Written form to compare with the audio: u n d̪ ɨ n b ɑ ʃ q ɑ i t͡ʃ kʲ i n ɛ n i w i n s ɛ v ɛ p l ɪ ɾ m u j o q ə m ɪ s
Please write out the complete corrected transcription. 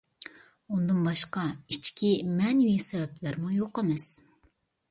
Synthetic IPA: u n d̪ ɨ n b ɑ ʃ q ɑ i t͡ʃ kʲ i m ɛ n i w i s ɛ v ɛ p l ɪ ɾ m u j o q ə m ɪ s